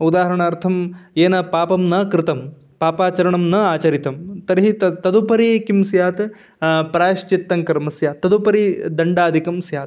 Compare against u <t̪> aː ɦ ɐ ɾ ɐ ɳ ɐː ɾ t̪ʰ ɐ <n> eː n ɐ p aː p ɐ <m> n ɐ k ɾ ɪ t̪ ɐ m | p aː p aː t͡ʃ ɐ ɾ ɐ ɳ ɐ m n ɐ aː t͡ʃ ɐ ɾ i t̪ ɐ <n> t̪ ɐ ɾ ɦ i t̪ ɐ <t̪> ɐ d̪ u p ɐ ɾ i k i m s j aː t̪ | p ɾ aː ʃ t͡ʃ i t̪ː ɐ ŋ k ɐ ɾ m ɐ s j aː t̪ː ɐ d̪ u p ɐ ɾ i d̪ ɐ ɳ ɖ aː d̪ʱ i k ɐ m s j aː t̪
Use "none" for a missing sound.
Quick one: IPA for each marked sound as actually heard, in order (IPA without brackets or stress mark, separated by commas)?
d̪, m, m, m, t̪